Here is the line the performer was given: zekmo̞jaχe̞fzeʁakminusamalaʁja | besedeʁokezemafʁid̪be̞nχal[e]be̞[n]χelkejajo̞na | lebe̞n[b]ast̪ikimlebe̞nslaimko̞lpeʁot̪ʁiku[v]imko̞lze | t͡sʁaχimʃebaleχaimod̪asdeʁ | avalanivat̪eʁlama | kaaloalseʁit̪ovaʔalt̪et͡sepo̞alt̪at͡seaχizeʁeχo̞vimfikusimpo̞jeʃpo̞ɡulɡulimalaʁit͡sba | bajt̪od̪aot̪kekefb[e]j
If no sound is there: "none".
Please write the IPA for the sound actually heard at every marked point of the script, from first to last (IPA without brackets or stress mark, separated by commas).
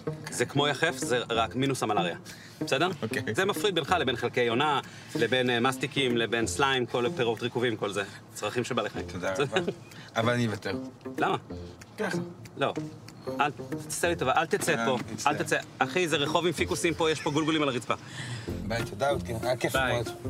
e, n, m, v, a